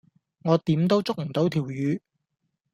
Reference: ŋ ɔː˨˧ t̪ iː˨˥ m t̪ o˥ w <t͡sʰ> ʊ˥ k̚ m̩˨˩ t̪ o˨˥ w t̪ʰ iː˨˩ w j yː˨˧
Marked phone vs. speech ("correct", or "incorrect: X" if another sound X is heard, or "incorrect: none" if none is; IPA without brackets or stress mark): incorrect: t͡s